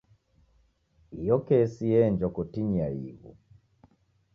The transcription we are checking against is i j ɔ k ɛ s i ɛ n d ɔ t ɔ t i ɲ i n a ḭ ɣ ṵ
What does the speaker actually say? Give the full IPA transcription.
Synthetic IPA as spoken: i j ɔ k ɛ s i ɛ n d͡ʒ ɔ k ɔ t i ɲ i a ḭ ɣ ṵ